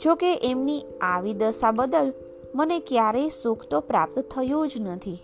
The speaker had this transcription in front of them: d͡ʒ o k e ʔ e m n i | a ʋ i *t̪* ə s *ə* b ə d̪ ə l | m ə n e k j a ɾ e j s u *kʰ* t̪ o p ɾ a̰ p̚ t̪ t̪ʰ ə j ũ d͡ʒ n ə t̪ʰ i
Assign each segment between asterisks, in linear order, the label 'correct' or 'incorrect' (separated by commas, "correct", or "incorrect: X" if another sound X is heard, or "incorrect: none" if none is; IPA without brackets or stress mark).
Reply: incorrect: d̪, incorrect: a, correct